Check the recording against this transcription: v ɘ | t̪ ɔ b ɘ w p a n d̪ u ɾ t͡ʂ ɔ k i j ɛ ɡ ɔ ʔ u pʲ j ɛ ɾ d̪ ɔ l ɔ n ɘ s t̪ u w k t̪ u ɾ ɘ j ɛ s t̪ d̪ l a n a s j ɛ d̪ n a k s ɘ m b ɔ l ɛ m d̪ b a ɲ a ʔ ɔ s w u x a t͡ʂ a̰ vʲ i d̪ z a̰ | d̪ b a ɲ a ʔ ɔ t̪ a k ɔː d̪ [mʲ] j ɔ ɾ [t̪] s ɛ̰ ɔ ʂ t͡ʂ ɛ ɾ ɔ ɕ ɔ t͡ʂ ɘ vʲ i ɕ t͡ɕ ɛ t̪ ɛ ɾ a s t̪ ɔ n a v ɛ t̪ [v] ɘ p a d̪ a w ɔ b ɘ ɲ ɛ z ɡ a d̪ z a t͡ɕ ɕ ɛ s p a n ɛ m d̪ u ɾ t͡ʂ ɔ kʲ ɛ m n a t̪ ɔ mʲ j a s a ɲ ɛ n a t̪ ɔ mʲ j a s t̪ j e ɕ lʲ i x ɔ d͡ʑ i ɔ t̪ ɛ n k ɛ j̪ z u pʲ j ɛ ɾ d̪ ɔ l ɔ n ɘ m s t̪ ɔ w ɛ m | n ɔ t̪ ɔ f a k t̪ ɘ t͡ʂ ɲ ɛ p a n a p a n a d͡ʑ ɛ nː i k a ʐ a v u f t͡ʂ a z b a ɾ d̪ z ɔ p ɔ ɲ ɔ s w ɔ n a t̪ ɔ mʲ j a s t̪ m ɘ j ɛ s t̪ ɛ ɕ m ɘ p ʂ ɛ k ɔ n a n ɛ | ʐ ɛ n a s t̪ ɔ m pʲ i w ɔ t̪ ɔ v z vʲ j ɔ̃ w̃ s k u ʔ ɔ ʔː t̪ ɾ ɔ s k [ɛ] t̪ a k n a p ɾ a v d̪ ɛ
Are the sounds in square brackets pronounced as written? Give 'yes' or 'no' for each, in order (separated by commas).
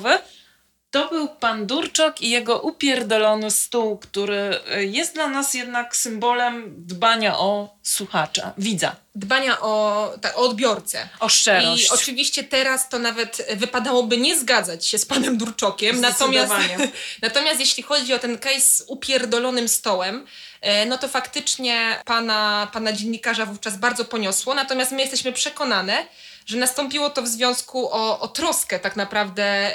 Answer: no, yes, yes, yes